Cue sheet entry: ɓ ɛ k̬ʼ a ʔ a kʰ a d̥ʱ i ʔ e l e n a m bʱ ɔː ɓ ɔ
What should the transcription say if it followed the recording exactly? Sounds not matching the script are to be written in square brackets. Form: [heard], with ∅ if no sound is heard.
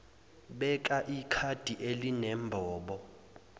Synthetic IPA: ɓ ɛ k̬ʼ a ʔ [i] kʰ a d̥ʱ i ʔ e l [i] n [ɛ] m bʱ ɔː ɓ ɔ

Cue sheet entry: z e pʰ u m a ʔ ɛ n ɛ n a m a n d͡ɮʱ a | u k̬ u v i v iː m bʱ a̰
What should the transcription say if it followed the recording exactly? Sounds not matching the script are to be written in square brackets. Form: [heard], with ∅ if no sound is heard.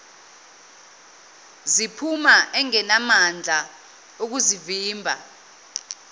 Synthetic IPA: z [i] pʰ u m a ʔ ɛ [ŋ] ɛ n a m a n d͡ɮʱ a | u k̬ u [z] i v iː m bʱ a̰

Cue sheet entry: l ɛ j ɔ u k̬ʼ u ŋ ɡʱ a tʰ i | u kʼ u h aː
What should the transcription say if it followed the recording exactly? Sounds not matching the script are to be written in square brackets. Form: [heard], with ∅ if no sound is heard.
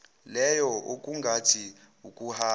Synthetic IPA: l ɛ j ɔ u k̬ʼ u ŋ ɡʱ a tʰ i | u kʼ u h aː

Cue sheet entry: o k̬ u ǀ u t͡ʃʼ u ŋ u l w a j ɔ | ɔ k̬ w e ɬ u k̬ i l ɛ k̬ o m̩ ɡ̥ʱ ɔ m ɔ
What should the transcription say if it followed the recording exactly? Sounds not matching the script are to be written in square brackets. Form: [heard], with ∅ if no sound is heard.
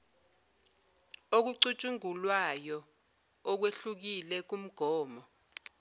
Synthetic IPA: o k̬ u ǀ u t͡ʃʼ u ŋ u l w a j ɔ | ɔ k̬ w e ɬ u k̬ i l ɛ k̬ [u] m̩ ɡ̥ʱ [ɔː] m ɔ

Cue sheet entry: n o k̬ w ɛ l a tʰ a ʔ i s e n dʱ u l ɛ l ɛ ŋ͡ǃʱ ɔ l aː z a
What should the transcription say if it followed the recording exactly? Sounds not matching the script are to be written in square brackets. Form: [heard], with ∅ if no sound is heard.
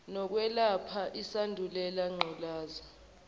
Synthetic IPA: n [ɔ] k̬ w ɛ l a [pʰ] a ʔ i s [a] n dʱ u l ɛ l [a] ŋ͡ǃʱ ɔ l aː z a

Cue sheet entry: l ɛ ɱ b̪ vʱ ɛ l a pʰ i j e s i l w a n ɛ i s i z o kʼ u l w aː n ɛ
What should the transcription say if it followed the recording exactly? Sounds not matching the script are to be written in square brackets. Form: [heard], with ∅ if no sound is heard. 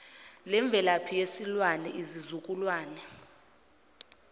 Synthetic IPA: l ɛ ɱ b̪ vʱ ɛ l a pʰ i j e s i l w a n ɛ i [z] i z [u] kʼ u l w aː n ɛ

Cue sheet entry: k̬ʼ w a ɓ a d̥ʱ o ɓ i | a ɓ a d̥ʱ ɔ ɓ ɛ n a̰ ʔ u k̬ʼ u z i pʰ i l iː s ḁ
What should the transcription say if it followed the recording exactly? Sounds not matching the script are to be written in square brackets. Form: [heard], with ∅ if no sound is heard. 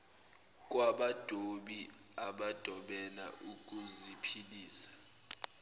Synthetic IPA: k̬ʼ w a ɓ a d̥ʱ o ɓ i | a ɓ a d̥ʱ ɔ ɓ ɛ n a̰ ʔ u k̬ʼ u z i pʰ i l iː s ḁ

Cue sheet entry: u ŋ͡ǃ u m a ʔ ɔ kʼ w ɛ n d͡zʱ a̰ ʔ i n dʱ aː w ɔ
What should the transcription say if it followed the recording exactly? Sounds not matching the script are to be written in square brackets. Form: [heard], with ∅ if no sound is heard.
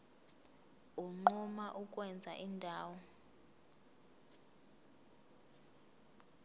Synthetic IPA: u ŋ͡ǃ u m a ʔ [u] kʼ w ɛ n d͡zʱ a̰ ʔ i n dʱ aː w ɔ

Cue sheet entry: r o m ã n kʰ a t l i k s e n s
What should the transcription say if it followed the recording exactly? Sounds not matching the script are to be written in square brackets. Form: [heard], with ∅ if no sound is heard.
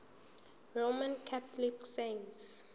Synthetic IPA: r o m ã n kʰ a t l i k s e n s

